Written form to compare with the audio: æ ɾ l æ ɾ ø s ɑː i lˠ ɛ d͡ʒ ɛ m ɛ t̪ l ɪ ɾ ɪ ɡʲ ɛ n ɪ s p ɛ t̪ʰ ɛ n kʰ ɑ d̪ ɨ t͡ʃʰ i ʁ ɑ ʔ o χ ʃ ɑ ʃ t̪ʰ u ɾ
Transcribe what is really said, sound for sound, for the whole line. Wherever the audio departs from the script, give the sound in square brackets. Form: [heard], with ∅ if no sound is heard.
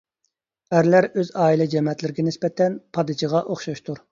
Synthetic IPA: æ ɾ l æ ɾ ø [z] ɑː i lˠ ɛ d͡ʒ ɛ m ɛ t̪ l ɪ ɾ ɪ ɡʲ ɛ n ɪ s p ɛ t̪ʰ ɛ n [pʰ] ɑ d̪ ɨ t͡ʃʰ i ʁ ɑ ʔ o χ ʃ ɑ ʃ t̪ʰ u ɾ